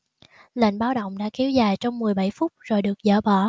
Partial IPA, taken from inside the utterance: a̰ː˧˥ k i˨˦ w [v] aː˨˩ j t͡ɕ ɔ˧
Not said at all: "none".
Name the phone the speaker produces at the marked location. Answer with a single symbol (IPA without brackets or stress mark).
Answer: z